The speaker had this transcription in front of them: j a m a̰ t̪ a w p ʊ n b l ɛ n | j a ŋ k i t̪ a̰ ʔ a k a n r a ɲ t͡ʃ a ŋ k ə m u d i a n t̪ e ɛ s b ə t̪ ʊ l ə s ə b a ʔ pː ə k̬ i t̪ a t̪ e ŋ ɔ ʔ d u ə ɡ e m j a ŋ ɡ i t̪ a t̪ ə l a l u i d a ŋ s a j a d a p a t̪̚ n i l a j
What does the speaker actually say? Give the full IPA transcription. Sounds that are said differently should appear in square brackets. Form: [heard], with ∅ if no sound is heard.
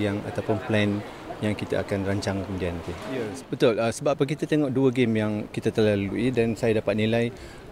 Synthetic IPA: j a [ŋ] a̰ t̪ a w p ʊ n [p] l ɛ n | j a ŋ k i t̪ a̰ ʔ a k a n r a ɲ t͡ʃ a ŋ k ə m u d i a n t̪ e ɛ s b ə t̪ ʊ l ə s ə b a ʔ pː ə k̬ i t̪ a t̪ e ŋ ɔ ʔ d u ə ɡ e m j a ŋ [k] i t̪ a t̪ ə l a l u i d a [n] s a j a d a p a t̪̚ n i l a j

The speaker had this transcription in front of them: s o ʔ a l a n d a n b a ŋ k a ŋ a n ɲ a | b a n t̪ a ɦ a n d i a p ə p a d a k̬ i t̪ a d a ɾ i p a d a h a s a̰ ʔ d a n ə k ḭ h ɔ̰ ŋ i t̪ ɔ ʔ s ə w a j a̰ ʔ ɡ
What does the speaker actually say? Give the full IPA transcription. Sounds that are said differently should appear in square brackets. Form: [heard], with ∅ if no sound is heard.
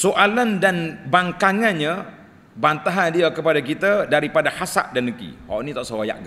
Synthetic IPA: s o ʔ a l a n d a n b a ŋ k a ŋ a n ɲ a | b a n t̪ a ɦ a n d i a [k] ə p a d a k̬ i t̪ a d a ɾ i p a d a h a s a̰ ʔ d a n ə k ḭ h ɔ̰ [n] i t̪ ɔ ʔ s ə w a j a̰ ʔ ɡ

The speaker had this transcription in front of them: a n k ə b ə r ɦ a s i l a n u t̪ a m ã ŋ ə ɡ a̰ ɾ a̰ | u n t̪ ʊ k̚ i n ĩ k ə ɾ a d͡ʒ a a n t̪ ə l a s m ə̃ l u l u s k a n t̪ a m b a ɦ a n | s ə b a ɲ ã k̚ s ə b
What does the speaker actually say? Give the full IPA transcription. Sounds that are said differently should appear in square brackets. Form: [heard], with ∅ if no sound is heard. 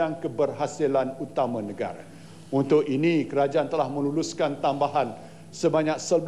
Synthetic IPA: a [ŋ] k ə b ə r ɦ a s i l a n u t̪ a m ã [n] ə ɡ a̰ ɾ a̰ | u n t̪ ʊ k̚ i n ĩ k ə ɾ a d͡ʒ a a n t̪ ə l a [h] m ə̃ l u l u s k a n t̪ a m b a ɦ a n | s ə b a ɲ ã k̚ s ə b

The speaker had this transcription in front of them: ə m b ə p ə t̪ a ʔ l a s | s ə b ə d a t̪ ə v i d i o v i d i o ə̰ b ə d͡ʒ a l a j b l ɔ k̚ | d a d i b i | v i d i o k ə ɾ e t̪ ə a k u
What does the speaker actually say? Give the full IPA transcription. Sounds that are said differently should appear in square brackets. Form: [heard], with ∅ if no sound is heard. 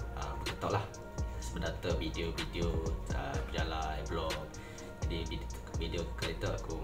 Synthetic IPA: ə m b ə [k] ə t̪ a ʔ l a [h] | s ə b ə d a t̪ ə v i d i o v i d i o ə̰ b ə d͡ʒ a l a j b l ɔ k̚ | [d͡ʒ] a d i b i | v i d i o k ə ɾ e t̪ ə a k u

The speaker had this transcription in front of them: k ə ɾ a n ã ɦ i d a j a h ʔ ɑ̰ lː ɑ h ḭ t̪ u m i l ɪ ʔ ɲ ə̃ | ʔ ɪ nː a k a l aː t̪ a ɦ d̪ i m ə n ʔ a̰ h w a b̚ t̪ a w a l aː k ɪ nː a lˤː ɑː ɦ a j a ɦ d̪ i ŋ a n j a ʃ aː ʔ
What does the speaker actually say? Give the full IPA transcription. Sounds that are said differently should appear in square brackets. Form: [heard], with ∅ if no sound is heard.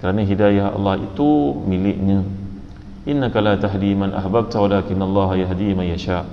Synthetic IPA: k ə ɾ a n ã ɦ i d a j a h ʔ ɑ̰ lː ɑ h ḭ t̪ u m i l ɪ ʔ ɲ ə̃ | ʔ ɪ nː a k a l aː t̪ a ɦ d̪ i m [a] n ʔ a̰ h [b] a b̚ t̪ a w a l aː k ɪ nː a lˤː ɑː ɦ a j a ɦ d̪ i [m] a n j a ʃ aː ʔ

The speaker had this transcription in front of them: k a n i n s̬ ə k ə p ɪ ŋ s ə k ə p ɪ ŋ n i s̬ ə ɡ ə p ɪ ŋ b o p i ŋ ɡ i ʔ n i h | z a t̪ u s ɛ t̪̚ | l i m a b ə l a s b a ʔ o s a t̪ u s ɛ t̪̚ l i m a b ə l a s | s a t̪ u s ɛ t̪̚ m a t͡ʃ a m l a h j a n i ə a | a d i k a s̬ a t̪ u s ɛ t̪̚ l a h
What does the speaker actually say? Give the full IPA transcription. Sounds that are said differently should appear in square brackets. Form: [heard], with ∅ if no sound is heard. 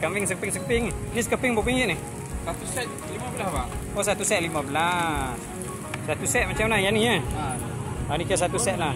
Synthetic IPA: k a [m] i [ŋ] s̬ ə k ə p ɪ ŋ s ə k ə p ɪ ŋ n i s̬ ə [k] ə p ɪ ŋ b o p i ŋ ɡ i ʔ n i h | [s] a t̪ u s ɛ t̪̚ | l i m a b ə l a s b a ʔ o s a t̪ u s ɛ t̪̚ l i m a b ə l a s | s a t̪ u s ɛ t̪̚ m a t͡ʃ a m l a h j a n i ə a | a [n] i k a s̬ a t̪ u s ɛ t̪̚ l a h

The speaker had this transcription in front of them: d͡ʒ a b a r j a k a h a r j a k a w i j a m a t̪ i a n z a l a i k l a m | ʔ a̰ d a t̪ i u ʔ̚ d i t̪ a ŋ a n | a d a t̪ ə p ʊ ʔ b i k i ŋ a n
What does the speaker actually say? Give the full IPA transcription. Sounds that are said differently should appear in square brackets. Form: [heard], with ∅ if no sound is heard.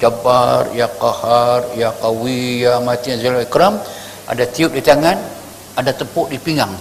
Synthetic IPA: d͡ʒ a b a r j a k a h a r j a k a w i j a m a t̪ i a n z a l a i k [ɾ] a m | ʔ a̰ d a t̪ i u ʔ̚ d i t̪ a ŋ a n | a d a t̪ ə p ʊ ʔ [d] i [p] i ŋ a [ŋ]

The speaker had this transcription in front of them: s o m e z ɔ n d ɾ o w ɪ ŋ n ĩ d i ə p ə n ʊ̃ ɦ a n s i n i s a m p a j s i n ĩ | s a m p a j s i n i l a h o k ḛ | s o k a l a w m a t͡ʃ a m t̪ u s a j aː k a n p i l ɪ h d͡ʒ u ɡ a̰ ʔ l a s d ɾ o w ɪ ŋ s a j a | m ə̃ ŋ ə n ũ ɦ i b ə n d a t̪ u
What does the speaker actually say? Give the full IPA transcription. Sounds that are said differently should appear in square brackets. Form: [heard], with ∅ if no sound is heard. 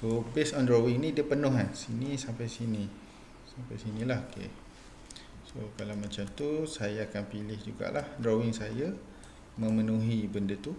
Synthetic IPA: s o [b] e [s] ɔ n d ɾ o w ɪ ŋ n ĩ d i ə p ə n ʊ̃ ɦ a n s i n i s a m p a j s i n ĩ | s a m p a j s i n i l a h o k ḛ | s o k a l a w m a t͡ʃ a m t̪ u s a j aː k a n p i l ɪ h d͡ʒ u ɡ a̰ ʔ l a [h] d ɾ o w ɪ ŋ s a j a | m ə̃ [m] ə n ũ ɦ i b ə n d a t̪ u

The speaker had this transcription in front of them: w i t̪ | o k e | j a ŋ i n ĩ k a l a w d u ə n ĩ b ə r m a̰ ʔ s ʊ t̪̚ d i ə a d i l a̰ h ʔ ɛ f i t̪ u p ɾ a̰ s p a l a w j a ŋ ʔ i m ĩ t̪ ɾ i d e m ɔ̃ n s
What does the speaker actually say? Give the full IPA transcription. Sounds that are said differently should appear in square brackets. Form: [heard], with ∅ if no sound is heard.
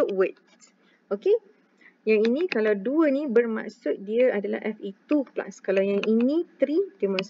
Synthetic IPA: w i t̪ | o k e | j a ŋ i n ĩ k a l a w d u ə n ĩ b ə r m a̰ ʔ s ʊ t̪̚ d i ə a d [a] l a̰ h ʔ ɛ f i t̪ u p [l] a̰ s [k] a l a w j a ŋ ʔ i [n] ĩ t̪ ɾ i d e m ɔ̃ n s

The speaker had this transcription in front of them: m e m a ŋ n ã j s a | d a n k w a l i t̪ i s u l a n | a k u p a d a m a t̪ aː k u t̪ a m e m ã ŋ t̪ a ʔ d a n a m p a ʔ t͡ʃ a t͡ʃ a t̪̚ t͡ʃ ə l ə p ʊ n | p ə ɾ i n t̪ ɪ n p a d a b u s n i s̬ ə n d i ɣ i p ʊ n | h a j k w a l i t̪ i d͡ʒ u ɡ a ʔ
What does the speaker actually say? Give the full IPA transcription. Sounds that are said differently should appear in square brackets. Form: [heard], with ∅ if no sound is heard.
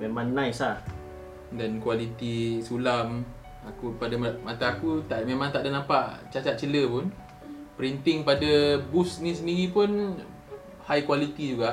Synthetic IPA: m e m a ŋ n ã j s a | d a n k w a l i t̪ i s u l a [m] | a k u p a d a m a t̪ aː k u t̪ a m e m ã ŋ t̪ a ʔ d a n a m p a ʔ t͡ʃ a t͡ʃ a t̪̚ t͡ʃ ə l ə p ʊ n | p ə ɾ i n t̪ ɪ [ŋ] p a d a b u s n i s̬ ə n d i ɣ i p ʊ n | h a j k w a l i t̪ i d͡ʒ u ɡ a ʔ

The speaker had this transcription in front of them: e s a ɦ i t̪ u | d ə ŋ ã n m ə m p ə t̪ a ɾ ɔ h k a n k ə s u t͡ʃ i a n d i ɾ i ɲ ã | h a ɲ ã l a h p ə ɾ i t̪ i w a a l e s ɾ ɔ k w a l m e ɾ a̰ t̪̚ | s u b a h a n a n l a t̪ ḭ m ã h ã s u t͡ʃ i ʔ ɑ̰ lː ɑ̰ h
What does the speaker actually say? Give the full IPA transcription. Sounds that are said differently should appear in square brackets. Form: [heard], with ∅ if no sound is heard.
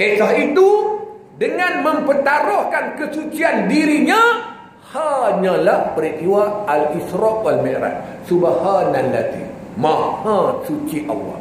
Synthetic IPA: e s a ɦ i t̪ u | d ə ŋ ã n m ə m p ə t̪ a ɾ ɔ h k a n k ə s u t͡ʃ i a n d i ɾ i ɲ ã | h a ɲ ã l a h p ə ɾ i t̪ i w a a l [i] s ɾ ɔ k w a l m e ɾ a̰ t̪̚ | s u b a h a n a n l a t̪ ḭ m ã h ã s u t͡ʃ i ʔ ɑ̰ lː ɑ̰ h

